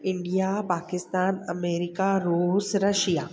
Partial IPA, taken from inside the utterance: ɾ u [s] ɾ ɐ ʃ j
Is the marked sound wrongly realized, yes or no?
no